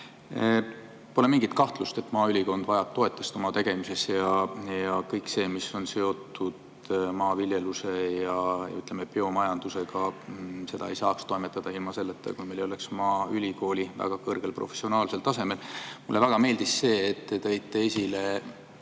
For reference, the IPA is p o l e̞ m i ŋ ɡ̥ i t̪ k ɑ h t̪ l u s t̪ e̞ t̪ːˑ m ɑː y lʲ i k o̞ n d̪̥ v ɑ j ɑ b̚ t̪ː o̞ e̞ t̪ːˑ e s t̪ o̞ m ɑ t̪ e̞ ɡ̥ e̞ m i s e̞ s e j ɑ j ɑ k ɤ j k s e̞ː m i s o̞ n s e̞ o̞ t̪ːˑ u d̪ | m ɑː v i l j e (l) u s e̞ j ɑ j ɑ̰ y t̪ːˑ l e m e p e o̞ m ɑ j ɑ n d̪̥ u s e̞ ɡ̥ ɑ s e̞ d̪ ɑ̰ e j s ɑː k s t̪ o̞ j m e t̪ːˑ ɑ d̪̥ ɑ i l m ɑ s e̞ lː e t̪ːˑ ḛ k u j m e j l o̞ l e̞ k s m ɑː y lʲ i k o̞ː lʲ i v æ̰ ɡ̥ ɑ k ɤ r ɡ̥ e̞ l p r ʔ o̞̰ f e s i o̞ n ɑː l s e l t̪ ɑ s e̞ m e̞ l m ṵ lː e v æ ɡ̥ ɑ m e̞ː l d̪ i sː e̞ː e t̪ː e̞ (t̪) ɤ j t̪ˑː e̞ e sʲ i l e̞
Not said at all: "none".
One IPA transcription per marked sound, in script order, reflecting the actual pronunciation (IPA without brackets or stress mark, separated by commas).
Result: l, t̪